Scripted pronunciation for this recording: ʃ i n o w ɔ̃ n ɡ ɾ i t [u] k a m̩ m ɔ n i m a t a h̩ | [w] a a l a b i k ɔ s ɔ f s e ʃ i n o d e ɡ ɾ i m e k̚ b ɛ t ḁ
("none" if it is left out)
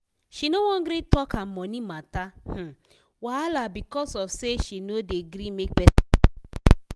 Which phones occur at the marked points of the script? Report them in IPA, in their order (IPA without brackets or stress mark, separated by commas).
ɔ, w